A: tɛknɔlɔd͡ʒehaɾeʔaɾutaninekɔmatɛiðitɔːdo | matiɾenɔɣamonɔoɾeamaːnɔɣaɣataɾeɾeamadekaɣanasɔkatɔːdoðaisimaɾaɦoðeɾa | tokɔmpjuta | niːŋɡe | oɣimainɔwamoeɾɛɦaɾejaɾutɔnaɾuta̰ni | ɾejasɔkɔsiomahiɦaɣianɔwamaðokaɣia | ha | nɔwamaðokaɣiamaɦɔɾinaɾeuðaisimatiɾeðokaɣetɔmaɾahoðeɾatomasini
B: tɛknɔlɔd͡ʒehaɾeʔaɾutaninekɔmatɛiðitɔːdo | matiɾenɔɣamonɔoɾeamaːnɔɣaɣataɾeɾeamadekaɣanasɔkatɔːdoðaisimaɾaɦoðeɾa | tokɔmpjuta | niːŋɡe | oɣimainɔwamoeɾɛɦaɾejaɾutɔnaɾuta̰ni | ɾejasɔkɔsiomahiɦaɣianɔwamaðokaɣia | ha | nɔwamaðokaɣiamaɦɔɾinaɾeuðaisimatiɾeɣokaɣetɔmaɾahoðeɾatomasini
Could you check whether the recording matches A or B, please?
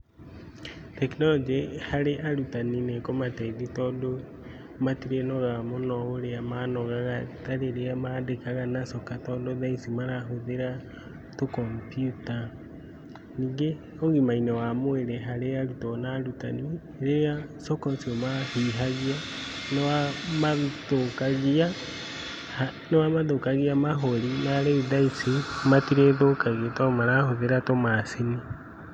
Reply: A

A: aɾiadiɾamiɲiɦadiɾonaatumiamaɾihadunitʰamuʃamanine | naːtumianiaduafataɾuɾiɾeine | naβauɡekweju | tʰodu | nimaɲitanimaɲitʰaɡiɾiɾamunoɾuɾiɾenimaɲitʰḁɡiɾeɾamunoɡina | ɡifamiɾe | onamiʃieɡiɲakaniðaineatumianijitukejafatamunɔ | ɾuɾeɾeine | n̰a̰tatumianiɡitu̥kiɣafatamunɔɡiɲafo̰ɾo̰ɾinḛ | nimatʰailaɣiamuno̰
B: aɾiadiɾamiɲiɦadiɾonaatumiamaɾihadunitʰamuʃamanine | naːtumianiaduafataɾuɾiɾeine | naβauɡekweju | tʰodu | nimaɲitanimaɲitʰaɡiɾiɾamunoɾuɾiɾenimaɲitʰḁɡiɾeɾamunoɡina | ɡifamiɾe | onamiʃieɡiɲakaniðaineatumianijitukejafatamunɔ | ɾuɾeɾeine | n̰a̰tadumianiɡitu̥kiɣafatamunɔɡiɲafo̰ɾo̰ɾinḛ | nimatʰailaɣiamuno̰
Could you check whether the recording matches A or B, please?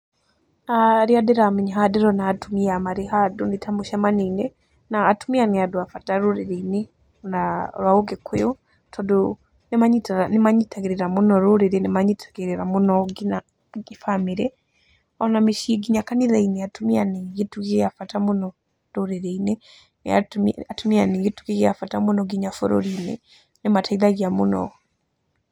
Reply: A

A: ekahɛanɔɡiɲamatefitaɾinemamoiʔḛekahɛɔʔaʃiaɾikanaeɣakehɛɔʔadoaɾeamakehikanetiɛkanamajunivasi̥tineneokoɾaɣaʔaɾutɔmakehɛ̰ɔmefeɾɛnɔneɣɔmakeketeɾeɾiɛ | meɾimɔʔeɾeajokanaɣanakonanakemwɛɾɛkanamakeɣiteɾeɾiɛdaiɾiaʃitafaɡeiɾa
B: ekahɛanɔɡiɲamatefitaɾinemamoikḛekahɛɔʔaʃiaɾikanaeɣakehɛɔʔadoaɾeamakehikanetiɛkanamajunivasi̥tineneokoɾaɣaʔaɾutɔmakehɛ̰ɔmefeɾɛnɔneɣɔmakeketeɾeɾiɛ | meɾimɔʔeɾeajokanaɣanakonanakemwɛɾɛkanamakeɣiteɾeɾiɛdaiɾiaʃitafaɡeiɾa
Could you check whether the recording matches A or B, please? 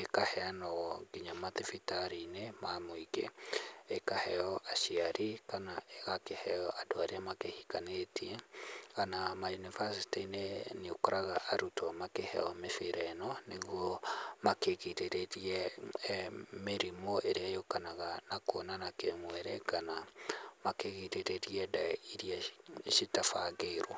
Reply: B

